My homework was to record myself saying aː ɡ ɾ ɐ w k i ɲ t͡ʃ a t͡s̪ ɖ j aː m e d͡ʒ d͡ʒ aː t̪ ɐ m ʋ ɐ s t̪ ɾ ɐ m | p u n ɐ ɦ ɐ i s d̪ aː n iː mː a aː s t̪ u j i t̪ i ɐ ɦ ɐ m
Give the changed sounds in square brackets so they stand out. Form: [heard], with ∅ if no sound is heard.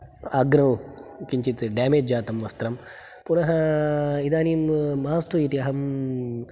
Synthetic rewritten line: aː ɡ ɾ ɐ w k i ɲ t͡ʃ [i] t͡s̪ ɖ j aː m e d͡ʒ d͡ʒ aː t̪ ɐ m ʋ ɐ s t̪ ɾ ɐ m | p u n ɐ ɦ ɐ i [∅] d̪ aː n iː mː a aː s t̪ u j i t̪ i ɐ ɦ ɐ m